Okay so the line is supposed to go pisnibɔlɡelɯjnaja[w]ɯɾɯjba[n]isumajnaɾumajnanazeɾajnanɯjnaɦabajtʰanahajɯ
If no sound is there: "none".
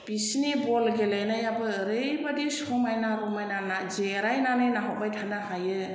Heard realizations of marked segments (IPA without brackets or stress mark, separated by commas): b, d